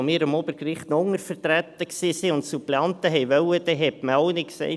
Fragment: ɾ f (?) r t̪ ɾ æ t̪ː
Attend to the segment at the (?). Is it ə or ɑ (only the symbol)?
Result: ə